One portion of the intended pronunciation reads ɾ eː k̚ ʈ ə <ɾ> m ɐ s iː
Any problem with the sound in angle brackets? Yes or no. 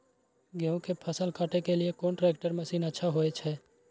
no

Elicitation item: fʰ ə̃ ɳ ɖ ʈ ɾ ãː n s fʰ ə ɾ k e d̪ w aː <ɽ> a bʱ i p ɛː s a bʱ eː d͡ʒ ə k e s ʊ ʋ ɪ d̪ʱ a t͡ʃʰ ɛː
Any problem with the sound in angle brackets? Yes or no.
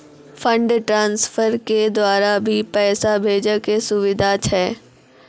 yes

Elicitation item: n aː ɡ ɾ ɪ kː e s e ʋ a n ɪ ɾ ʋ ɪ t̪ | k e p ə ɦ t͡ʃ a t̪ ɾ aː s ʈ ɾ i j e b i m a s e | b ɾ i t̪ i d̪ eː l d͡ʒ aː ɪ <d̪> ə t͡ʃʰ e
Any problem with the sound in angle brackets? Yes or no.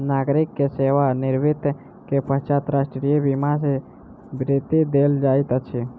yes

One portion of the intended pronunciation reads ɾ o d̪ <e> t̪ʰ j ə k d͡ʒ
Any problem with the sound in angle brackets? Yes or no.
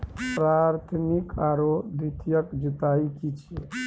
yes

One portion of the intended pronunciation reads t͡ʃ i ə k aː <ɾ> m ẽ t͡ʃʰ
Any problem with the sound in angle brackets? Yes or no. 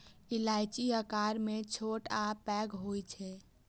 no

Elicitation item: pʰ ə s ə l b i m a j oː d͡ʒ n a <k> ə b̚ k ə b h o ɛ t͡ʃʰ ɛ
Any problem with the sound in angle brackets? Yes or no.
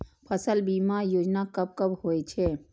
no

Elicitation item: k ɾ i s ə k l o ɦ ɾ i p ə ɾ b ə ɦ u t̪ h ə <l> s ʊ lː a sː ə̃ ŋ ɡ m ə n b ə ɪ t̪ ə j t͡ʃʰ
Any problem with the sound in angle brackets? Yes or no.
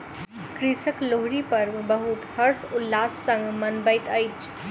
yes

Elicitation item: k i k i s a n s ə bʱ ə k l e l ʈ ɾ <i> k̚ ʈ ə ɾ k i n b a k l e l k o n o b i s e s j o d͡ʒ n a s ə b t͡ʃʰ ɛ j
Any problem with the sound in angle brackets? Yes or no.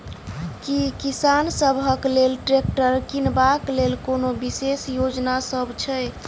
yes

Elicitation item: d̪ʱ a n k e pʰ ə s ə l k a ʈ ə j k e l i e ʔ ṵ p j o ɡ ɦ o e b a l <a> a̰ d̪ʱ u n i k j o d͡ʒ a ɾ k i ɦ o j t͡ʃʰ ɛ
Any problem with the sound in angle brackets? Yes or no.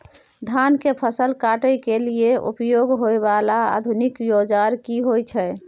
no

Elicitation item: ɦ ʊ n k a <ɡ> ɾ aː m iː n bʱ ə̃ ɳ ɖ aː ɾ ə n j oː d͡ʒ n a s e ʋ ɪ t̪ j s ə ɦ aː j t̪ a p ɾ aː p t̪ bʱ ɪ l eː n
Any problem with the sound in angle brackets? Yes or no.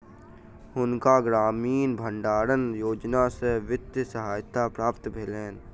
no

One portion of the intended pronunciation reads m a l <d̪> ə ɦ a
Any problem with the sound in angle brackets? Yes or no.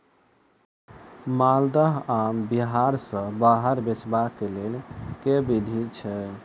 no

